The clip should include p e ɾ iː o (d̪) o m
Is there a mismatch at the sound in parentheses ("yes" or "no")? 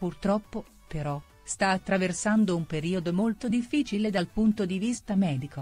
no